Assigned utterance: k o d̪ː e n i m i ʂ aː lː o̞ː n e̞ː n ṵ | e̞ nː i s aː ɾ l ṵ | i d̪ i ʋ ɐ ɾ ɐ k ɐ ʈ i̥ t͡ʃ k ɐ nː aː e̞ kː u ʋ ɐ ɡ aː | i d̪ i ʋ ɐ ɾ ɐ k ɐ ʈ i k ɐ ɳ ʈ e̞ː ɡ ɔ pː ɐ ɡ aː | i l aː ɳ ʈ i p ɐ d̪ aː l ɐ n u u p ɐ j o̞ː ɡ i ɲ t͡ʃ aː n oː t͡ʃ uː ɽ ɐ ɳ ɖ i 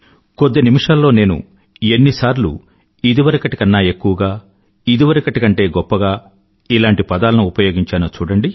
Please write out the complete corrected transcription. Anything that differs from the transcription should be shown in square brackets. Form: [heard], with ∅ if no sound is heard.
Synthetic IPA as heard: k o d̪ː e n i m i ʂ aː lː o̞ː n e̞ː n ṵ | e̞ nː i s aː ɾ l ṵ | i d̪ i ʋ ɐ ɾ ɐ k ɐ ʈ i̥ [∅] k ɐ nː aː e̞ kː u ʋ ɐ ɡ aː | i d̪ i ʋ ɐ ɾ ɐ k ɐ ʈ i k ɐ ɳ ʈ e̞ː ɡ ɔ pː ɐ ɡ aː | i l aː ɳ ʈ i p ɐ d̪ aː l ɐ n u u p ɐ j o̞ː ɡ i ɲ t͡ʃ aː n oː t͡ʃ uː ɽ ɐ ɳ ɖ i